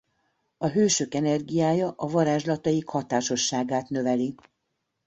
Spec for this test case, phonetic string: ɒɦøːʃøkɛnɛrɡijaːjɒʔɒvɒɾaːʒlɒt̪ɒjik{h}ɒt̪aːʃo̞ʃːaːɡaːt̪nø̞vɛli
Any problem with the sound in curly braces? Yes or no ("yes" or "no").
no